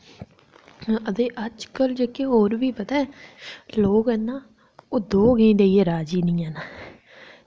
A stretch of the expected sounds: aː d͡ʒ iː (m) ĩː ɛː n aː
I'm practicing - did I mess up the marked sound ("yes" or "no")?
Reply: yes